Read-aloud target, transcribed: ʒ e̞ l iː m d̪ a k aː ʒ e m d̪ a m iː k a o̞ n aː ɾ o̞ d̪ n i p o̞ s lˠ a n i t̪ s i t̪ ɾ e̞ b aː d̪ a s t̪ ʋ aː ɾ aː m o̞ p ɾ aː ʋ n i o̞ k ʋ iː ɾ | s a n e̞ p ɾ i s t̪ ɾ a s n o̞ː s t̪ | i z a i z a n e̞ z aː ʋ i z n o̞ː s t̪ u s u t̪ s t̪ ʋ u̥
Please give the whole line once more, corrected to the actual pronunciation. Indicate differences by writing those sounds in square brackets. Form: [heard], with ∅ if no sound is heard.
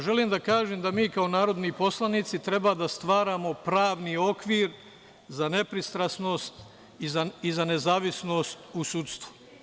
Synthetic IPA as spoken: ʒ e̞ l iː m d̪ a k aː ʒ e m d̪ a m iː k a o̞ n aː ɾ o̞ d̪ n i p o̞ s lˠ a n i t̪ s i t̪ ɾ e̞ b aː d̪ a s t̪ ʋ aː ɾ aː m o̞ p ɾ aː ʋ n i o̞ k ʋ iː ɾ | [z] a n e̞ p ɾ i s t̪ ɾ a s n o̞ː s t̪ | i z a i z a n e̞ z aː ʋ i [s] n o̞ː s t̪ u s u t̪ s t̪ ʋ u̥